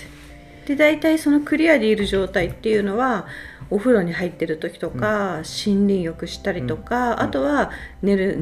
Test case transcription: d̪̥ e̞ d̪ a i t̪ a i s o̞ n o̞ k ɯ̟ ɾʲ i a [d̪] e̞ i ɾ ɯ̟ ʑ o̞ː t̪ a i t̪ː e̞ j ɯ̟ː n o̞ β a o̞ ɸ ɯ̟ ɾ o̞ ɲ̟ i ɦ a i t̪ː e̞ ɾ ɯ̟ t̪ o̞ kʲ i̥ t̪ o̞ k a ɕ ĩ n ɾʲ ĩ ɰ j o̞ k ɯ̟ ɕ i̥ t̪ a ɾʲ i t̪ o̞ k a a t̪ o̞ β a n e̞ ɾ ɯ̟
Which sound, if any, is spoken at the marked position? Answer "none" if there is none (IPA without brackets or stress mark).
d̪